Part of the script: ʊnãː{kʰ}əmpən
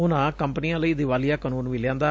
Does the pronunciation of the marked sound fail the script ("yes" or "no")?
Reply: yes